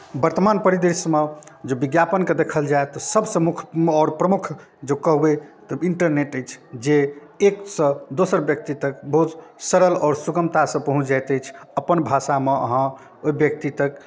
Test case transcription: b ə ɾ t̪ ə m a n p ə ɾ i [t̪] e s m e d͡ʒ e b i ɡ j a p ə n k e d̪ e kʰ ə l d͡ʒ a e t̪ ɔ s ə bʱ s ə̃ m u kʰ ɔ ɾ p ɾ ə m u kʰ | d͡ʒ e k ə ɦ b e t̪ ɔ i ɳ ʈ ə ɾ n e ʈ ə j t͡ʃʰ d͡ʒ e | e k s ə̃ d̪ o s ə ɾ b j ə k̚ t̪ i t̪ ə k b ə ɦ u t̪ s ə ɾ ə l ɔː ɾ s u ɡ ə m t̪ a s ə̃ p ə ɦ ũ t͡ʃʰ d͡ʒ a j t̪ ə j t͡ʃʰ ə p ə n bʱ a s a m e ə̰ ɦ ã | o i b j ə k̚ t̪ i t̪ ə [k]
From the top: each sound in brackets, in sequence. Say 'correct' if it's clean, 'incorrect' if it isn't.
incorrect: d̪, correct

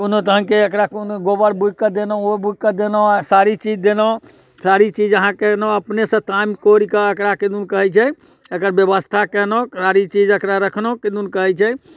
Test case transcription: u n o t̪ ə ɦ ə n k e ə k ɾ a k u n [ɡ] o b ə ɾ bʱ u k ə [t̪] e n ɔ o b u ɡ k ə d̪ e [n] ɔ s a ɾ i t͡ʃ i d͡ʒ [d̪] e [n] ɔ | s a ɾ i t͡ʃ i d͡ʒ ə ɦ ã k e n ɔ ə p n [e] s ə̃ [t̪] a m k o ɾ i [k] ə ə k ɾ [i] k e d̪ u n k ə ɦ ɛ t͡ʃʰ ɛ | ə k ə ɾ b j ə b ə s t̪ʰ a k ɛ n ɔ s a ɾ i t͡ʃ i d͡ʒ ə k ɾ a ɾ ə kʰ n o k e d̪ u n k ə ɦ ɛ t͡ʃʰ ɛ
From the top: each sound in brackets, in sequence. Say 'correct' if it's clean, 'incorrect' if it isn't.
correct, incorrect: d̪, correct, correct, correct, correct, correct, correct, incorrect: a

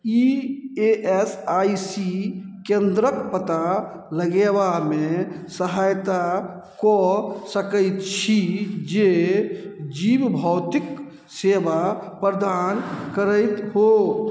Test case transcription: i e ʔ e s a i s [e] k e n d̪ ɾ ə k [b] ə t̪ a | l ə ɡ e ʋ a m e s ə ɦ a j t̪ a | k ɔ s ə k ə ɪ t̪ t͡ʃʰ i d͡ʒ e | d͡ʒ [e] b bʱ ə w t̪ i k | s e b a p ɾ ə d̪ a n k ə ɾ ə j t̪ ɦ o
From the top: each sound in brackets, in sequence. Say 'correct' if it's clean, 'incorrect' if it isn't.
incorrect: i, incorrect: p, incorrect: i

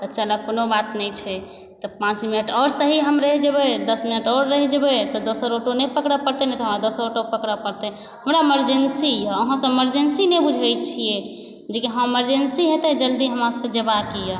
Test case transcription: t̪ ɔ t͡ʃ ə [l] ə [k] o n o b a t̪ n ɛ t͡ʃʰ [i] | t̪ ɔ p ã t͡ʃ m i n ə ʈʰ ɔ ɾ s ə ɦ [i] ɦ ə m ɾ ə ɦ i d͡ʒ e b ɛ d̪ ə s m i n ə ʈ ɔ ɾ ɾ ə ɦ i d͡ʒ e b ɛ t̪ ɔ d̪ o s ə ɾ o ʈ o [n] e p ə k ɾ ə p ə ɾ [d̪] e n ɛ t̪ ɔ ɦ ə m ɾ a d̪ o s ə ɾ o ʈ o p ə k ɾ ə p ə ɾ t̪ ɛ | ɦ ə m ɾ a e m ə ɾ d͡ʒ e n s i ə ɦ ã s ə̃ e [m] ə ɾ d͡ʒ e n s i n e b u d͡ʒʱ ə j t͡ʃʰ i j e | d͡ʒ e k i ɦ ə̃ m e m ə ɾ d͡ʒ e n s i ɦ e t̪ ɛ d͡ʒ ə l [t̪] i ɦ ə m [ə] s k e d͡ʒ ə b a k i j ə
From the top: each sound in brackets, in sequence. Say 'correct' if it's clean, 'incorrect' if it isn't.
correct, correct, incorrect: ɛ, correct, correct, incorrect: t̪, correct, incorrect: d̪, incorrect: a

